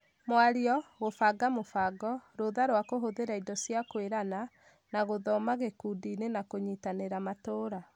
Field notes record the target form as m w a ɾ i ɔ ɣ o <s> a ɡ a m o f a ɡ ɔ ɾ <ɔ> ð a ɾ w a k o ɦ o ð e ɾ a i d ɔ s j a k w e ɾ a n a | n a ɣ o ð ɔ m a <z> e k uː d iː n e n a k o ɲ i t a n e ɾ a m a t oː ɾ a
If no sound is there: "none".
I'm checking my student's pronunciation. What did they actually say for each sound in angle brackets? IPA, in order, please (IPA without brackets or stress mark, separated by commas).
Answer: f, o, ɣ